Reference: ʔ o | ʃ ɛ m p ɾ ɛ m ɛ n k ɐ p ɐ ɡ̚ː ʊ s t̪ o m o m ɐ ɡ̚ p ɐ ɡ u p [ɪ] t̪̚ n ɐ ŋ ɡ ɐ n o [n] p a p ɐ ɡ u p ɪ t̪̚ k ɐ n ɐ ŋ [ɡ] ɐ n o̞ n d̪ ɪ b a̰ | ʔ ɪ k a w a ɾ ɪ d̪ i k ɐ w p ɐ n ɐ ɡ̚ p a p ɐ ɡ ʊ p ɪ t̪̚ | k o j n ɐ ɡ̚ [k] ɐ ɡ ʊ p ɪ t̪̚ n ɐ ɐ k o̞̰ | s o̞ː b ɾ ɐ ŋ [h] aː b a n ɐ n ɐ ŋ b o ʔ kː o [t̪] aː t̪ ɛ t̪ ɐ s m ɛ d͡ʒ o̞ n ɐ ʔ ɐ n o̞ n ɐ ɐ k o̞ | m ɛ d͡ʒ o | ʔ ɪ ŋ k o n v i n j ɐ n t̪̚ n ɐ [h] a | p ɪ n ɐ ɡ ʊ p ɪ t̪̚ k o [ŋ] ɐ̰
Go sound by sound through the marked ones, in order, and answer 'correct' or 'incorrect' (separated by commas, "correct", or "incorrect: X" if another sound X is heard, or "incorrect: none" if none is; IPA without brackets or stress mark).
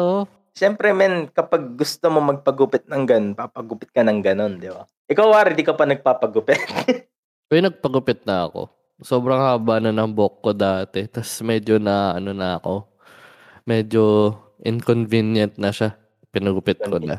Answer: correct, correct, correct, incorrect: p, correct, incorrect: d̪, incorrect: ʃ, incorrect: n